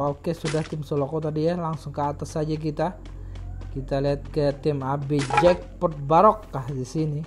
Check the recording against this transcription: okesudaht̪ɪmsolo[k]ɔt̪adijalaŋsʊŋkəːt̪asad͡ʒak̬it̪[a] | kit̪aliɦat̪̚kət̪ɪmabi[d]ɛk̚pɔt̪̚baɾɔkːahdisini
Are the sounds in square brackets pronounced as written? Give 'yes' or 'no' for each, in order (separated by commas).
yes, yes, no